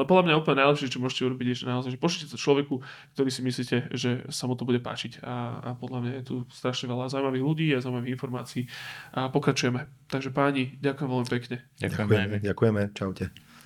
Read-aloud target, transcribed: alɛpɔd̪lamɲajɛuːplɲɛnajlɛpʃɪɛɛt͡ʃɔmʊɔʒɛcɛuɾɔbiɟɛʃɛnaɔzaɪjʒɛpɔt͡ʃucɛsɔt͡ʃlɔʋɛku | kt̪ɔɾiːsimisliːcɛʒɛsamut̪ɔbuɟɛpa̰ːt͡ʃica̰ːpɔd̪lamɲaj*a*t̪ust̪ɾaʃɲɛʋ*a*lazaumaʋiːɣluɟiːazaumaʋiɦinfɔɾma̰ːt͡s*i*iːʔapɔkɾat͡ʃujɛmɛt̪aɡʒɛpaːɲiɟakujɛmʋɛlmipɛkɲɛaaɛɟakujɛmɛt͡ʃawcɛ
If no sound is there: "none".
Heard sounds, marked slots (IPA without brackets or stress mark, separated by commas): ɛ, ɛ, i